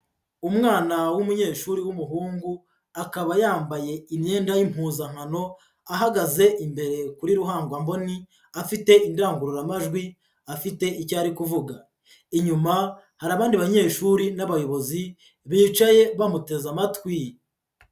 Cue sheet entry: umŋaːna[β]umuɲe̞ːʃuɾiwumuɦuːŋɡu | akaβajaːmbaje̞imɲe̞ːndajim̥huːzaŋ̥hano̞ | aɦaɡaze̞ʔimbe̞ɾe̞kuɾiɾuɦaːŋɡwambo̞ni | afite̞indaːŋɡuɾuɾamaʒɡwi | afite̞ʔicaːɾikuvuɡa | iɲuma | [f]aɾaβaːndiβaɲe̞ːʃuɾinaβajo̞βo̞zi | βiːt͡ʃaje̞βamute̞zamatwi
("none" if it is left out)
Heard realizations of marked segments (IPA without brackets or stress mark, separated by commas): w, h